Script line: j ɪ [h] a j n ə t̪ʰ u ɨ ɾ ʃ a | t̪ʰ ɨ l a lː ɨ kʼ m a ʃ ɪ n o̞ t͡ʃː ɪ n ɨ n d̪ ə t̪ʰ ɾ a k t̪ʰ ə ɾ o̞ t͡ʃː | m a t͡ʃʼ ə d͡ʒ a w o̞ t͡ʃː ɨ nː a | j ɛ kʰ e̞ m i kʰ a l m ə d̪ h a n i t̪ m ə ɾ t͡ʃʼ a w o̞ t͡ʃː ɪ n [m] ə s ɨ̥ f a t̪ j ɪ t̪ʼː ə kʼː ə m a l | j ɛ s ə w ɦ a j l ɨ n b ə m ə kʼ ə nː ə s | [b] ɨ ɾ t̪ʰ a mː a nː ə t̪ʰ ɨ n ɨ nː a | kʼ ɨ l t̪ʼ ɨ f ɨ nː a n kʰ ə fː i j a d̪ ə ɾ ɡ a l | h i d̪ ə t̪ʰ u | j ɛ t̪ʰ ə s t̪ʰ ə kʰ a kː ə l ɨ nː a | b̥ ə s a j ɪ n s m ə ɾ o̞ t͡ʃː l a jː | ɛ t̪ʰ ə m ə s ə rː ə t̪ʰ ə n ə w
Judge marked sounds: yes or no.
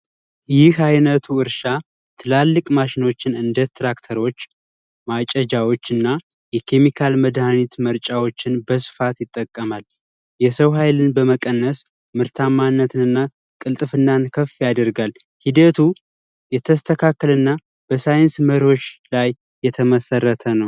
yes, no, no

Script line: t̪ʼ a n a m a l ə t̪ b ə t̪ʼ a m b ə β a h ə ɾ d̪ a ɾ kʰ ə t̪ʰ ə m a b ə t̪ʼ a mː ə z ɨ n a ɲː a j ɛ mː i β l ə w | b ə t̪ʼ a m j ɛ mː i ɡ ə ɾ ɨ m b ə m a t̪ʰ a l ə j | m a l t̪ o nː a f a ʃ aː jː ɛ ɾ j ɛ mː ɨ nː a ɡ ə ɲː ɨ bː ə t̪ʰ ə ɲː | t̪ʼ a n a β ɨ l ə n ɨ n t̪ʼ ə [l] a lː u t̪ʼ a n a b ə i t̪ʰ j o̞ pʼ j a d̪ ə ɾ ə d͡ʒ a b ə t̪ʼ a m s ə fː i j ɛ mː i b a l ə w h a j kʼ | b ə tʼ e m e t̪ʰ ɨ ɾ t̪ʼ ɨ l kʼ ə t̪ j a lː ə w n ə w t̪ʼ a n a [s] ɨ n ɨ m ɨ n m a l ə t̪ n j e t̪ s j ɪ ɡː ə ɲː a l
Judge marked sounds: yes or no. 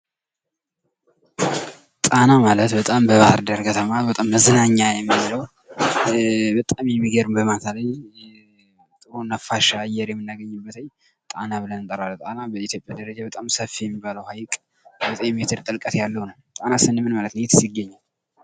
no, yes

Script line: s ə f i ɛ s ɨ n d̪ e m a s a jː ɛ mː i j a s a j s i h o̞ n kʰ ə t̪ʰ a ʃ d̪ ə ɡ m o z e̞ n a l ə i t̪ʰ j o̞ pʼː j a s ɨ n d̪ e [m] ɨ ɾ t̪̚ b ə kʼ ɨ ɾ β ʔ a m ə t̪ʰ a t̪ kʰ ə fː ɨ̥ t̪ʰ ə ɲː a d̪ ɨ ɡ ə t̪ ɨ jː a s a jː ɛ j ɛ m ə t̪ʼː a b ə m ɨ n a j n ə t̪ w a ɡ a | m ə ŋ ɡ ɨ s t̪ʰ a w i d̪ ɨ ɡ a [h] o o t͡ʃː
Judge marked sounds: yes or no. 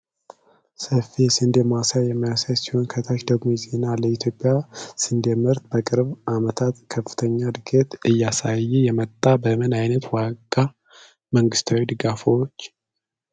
yes, no

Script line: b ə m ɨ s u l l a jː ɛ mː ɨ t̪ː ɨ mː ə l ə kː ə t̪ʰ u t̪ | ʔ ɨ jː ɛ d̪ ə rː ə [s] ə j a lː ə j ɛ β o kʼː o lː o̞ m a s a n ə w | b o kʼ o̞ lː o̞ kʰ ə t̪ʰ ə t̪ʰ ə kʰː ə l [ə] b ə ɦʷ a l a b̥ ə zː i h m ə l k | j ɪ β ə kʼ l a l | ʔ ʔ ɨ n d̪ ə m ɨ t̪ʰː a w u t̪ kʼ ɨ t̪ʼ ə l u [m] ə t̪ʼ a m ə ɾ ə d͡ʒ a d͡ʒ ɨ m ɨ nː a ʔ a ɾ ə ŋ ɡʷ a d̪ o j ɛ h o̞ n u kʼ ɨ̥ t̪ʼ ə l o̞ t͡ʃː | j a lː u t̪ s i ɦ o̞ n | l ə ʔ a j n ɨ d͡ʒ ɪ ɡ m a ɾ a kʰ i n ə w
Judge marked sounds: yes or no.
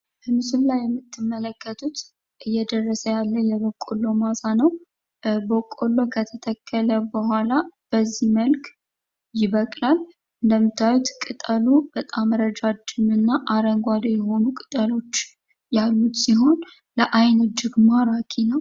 yes, yes, no

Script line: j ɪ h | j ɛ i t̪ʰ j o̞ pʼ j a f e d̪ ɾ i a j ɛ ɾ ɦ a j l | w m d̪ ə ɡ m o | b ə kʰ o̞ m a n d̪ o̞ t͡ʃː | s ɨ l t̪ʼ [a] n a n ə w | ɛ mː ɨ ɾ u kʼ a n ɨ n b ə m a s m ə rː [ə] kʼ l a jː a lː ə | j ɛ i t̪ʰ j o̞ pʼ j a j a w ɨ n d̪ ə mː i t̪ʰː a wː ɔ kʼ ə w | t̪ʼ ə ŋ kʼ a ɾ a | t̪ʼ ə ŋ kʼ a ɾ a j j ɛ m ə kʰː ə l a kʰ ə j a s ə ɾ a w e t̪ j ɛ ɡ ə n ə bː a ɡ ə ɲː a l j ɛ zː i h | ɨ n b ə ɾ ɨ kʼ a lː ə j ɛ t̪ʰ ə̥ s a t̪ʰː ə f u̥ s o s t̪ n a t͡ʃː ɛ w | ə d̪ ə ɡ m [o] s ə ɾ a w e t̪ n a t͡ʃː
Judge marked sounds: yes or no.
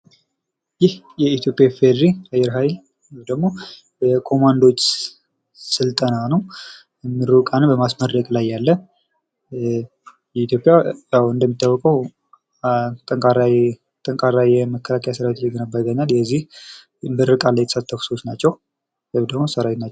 no, yes, yes

